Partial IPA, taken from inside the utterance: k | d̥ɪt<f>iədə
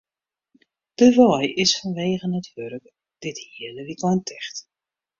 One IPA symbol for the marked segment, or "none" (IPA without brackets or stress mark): h